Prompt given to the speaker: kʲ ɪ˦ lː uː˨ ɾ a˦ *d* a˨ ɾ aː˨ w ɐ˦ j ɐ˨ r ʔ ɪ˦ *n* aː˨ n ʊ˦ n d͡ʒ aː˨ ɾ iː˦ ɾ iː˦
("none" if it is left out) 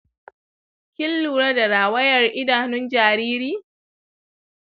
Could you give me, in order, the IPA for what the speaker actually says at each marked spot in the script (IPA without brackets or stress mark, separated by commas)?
d, d